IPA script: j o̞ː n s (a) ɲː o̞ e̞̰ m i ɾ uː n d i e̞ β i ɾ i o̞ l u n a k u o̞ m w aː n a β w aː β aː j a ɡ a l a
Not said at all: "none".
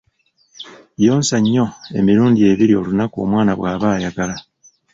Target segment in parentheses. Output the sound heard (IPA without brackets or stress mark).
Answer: a